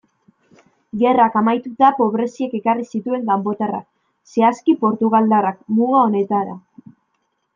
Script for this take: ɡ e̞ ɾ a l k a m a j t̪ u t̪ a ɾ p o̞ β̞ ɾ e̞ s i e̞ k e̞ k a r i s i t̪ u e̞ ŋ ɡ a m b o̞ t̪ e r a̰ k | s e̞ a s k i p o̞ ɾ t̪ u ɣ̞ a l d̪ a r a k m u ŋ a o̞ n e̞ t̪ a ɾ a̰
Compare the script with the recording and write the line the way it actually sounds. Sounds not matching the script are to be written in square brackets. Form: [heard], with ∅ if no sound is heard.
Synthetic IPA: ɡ e̞ [r] a [∅] k a m a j t̪ u t̪ a [∅] p o̞ β̞ ɾ e̞ s i e̞ k e̞ k a r i s i t̪ u e̞ ŋ ɡ a m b o̞ t̪ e r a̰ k | s e̞ a s k i p o̞ ɾ t̪ u ɣ̞ a l d̪ a r a k m u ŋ a o̞ n e̞ t̪ a ɾ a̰